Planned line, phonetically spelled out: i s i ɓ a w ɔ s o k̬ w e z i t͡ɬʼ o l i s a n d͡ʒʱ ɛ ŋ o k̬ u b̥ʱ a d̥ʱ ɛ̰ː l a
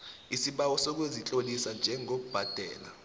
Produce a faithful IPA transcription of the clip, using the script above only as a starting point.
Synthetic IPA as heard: i s i ɓ a w ɔ s o k̬ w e z i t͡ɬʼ o l i s a n d͡ʒʱ ɛ ŋ o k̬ u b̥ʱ a d̥ʱ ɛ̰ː l a